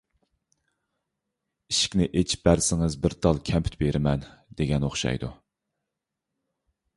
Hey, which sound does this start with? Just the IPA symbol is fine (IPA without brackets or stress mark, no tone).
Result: i